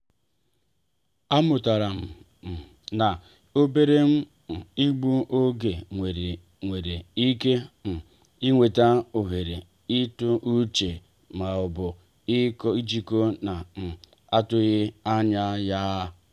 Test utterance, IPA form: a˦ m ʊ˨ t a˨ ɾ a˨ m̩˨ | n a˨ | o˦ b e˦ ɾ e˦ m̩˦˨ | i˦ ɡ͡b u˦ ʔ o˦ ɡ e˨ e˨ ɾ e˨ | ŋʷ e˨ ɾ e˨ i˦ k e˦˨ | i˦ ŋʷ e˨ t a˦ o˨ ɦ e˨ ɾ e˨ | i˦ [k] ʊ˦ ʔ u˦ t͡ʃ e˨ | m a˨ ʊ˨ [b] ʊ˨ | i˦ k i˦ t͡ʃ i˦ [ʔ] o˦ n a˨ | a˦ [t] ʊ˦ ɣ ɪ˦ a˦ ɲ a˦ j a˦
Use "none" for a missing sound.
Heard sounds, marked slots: t, b, k, t

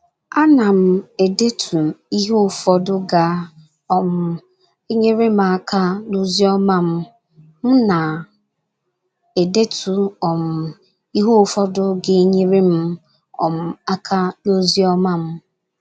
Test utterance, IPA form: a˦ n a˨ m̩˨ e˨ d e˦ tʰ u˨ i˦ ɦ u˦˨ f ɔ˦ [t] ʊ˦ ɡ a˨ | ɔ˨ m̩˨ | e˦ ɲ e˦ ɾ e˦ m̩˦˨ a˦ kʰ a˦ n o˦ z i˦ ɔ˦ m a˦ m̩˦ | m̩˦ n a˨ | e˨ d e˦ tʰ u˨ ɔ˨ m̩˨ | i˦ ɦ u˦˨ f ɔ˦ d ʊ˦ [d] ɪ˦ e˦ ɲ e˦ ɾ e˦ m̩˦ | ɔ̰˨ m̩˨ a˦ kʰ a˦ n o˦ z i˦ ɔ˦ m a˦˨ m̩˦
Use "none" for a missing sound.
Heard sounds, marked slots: d, ɡ

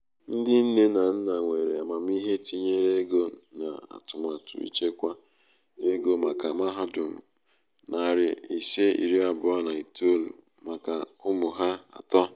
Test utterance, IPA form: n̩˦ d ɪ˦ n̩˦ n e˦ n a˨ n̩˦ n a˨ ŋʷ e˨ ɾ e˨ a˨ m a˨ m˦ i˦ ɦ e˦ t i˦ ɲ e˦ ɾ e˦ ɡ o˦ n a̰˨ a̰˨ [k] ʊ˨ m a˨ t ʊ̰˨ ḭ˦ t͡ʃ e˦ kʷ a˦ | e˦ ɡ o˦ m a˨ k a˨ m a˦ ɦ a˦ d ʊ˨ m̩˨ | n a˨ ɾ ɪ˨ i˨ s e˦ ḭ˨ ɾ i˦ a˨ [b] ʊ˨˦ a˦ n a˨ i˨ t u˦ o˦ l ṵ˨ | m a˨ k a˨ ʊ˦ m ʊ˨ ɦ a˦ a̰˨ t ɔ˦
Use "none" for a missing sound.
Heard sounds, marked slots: t, b

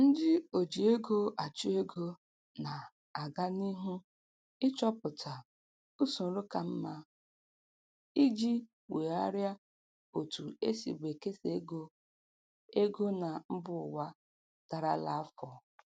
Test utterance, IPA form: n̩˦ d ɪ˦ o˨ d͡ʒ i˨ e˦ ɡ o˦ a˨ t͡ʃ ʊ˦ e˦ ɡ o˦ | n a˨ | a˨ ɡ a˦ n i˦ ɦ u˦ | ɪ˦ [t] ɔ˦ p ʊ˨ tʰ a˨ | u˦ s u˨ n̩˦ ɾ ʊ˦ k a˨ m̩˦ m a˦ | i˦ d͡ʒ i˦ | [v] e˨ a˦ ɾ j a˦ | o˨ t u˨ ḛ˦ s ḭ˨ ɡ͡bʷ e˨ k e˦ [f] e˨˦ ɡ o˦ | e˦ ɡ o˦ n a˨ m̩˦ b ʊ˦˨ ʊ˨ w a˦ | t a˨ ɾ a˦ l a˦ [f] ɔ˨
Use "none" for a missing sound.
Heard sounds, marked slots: t͡ʃ, w, s, f

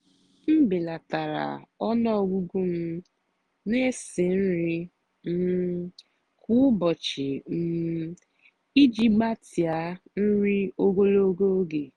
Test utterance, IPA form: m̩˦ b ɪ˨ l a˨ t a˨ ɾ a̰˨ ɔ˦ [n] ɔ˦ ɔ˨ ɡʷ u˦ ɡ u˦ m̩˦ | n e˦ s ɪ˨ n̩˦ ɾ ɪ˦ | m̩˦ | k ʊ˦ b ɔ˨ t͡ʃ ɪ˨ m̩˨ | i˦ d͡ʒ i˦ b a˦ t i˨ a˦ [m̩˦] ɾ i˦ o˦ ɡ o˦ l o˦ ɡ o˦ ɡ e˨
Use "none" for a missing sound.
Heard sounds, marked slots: n, n̩˦

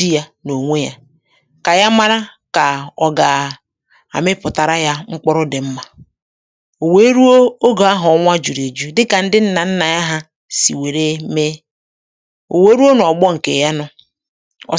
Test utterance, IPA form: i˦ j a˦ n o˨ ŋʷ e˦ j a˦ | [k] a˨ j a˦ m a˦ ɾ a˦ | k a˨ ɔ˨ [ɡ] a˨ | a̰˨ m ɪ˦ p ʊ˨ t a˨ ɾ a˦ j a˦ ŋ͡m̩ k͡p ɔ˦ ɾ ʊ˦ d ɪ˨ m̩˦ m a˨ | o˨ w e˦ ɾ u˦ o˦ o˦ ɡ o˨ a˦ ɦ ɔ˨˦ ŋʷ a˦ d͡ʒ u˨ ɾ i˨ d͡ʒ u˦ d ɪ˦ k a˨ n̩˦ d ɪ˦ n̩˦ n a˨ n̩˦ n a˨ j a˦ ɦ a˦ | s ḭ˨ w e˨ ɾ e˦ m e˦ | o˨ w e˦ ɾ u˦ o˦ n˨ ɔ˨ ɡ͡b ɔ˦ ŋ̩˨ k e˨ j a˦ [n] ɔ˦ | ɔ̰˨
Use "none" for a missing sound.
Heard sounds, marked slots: k, ɡ, n

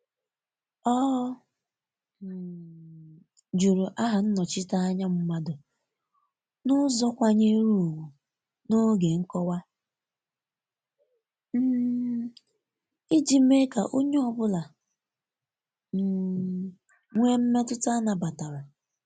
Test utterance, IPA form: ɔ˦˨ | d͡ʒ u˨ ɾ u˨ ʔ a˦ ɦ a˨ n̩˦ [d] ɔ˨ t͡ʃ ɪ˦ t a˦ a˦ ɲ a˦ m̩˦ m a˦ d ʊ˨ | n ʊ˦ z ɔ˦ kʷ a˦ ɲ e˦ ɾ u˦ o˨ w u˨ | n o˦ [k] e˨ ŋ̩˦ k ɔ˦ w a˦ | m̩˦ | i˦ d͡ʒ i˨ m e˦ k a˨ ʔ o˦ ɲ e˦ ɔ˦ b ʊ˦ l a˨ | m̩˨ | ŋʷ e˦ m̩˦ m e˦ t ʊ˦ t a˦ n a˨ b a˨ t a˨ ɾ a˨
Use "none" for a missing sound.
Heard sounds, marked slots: n, ɡ

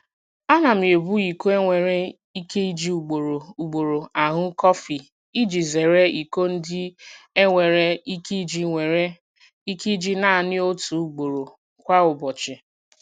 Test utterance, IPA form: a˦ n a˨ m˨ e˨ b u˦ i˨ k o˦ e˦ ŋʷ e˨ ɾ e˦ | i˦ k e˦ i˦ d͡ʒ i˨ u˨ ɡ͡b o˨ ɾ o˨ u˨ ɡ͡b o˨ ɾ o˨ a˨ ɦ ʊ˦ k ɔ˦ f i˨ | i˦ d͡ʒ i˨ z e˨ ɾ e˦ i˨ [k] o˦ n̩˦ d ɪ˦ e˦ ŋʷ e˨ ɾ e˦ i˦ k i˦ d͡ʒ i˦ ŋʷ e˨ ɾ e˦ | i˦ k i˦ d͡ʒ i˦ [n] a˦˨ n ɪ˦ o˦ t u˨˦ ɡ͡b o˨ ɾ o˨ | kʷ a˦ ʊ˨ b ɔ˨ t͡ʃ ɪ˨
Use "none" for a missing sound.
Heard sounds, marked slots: k, n

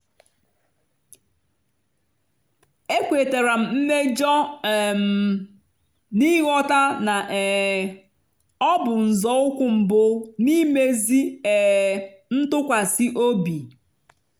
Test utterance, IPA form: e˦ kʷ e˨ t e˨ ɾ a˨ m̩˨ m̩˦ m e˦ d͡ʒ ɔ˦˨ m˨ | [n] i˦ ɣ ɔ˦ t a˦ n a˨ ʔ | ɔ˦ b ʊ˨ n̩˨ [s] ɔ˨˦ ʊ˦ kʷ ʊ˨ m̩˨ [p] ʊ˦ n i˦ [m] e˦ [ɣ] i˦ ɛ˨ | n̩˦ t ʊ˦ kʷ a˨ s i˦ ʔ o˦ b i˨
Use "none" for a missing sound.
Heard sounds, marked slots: n, z, b, m, z

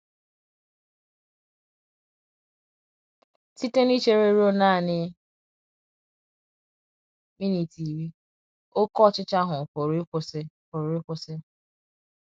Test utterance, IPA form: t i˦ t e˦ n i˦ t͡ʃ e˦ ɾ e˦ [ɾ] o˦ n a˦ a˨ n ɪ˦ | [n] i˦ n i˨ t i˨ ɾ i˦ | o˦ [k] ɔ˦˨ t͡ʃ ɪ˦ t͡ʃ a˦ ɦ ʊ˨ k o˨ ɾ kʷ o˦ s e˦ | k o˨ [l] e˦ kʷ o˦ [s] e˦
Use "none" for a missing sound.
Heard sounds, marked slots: ɾ, m, k, ɾ, s

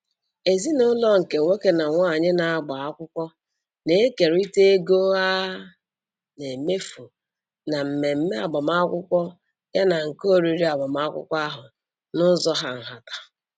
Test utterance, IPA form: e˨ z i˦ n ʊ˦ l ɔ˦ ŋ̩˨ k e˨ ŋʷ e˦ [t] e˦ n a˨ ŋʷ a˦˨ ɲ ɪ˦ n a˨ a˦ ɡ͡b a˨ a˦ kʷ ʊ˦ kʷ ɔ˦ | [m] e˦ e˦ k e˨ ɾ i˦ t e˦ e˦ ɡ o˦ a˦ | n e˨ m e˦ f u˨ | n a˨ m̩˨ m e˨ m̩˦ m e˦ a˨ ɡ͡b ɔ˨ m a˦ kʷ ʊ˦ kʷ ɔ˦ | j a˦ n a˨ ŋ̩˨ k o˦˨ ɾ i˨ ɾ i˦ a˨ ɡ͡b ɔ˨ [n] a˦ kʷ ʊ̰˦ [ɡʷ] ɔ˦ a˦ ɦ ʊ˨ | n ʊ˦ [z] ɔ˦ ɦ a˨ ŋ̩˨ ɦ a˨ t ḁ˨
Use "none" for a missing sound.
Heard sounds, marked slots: k, n, m, kʷ, z

